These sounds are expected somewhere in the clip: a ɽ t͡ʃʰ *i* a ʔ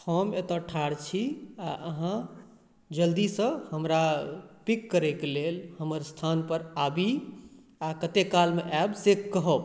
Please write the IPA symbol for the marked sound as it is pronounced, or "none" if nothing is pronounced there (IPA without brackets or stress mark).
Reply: i